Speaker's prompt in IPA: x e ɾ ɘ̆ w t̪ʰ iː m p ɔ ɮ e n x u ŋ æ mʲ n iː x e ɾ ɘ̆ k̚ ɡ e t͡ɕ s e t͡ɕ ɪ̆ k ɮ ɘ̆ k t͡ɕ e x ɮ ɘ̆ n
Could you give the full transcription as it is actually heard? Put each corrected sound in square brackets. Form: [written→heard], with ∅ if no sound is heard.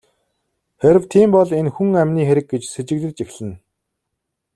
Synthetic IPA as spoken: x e ɾ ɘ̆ w t̪ʰ iː m p ɔ ɮ e n x u ŋ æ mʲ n iː x e ɾ ɘ̆ k̚ ɡ e t͡ɕ s e t͡ɕ ɪ̆ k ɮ ɘ̆ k t͡ɕ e x ɮ ɘ̆ n